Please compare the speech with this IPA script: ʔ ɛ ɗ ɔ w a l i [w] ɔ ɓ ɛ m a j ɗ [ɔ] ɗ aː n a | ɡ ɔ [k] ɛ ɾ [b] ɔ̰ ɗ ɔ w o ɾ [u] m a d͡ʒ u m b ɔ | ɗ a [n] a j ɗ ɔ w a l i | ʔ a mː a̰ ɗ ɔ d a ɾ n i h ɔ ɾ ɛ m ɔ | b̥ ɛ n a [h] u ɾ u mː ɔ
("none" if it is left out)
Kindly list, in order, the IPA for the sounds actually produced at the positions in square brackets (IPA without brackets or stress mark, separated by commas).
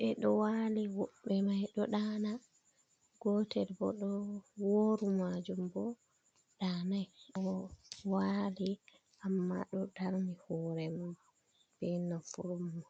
w, ɔ, t, b, u, n, f